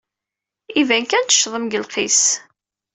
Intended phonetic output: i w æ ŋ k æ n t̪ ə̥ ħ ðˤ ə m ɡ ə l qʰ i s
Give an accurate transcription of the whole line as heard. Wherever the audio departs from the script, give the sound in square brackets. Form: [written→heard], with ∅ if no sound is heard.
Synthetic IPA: i [w→v] æ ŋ k æ n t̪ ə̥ [ħ→ʃ] ðˤ ə m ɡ ə l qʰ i s